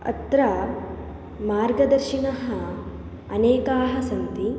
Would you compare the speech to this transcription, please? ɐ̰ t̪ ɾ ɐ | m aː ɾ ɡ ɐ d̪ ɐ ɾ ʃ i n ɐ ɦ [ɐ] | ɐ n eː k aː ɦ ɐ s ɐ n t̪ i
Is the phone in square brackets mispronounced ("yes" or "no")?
no